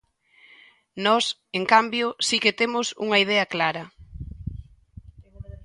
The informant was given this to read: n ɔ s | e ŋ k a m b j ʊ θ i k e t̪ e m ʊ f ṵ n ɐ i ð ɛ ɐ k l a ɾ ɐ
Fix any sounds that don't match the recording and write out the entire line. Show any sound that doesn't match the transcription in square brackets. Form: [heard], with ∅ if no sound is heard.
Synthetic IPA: n ɔ s | e ŋ k a m b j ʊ [s] i k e t̪ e m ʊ [s] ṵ [ŋ] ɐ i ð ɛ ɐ k l a ɾ ɐ